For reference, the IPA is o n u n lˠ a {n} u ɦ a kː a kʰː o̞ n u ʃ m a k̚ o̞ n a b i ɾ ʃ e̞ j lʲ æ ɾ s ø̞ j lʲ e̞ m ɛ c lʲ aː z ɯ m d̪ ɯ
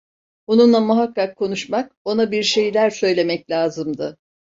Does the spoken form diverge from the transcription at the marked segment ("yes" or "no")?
yes